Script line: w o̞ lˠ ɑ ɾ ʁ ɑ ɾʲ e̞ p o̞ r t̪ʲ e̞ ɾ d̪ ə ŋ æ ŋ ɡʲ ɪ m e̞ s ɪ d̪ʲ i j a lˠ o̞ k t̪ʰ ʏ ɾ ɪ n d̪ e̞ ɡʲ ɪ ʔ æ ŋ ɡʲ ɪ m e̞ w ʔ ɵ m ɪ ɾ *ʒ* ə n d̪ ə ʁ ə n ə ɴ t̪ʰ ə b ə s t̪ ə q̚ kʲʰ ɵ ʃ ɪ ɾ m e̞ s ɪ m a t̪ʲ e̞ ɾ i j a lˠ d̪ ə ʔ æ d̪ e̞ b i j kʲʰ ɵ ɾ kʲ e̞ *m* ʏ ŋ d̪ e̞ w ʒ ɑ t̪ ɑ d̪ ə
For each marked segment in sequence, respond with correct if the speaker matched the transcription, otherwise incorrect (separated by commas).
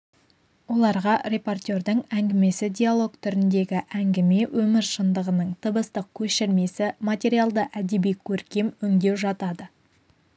incorrect, correct